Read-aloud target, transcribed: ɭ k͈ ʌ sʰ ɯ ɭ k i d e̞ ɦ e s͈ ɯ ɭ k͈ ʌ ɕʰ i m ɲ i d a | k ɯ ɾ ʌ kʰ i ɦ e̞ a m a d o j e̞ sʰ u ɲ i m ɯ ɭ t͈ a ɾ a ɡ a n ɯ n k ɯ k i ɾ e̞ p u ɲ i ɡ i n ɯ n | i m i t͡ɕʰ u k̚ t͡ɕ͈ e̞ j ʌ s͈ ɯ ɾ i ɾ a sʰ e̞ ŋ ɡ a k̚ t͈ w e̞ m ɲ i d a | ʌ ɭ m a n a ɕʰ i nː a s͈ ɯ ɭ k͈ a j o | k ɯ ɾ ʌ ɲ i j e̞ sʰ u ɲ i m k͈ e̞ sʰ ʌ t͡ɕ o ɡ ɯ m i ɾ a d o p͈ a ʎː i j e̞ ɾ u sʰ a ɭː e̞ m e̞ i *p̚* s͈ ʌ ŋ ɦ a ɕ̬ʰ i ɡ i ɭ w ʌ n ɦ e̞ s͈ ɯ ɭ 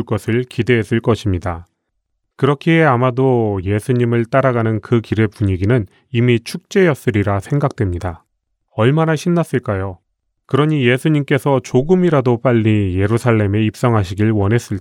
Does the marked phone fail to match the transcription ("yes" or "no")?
no